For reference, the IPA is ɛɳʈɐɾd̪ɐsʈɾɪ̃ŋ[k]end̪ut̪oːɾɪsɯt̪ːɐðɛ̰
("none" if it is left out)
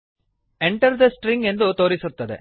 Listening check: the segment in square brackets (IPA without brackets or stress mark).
ɡ